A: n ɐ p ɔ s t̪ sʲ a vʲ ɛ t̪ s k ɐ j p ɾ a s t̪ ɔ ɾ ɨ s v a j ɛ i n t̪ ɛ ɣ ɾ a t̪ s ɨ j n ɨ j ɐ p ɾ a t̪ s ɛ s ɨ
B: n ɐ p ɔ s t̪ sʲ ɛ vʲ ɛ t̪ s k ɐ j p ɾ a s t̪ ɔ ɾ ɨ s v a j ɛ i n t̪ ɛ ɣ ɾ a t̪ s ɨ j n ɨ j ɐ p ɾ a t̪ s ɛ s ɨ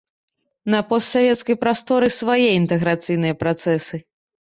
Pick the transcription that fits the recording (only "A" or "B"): A